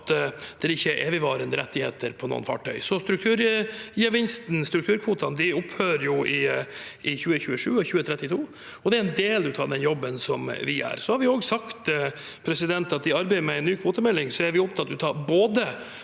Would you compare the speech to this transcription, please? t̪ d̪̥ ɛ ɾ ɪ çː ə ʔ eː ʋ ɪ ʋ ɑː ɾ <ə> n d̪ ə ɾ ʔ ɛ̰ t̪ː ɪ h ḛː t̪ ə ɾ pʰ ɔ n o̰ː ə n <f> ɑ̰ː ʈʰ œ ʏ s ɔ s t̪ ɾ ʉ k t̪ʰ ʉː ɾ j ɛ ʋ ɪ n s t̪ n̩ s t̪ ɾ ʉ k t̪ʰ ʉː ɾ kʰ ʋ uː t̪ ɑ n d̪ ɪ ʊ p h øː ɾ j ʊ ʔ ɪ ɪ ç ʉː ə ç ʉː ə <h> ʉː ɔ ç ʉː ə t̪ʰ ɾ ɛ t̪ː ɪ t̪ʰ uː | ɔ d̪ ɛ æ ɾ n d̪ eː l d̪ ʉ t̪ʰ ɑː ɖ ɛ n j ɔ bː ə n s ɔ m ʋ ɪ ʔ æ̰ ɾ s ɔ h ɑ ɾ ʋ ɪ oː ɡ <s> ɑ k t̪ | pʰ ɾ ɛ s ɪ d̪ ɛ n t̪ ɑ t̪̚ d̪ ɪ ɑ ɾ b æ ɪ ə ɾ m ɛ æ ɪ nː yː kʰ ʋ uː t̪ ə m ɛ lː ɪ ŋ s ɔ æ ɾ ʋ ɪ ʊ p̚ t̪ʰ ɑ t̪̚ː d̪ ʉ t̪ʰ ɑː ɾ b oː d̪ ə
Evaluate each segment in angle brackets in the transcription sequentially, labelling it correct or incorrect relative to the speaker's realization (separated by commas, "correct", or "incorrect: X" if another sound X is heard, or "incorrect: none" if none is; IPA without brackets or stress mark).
correct, correct, incorrect: ʂ, correct